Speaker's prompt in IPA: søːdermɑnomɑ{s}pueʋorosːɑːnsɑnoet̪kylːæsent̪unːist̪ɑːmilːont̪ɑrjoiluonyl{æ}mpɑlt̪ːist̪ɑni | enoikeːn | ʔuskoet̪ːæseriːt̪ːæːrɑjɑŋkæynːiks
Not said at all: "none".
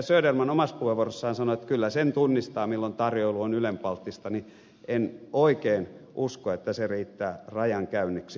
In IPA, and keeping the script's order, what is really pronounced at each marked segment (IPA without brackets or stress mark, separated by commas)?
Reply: s, e